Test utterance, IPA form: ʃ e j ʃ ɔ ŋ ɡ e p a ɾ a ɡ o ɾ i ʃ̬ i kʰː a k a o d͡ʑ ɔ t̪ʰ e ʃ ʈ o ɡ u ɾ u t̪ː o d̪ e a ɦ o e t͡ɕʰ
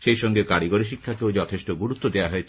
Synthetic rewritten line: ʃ e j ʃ ɔ ŋ ɡ e k a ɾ i ɡ o ɾ i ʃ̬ i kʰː a k e o d͡ʑ ɔ t̪ʰ e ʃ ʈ o ɡ u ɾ u t̪ː o d̪ e a ɦ o e t͡ɕʰ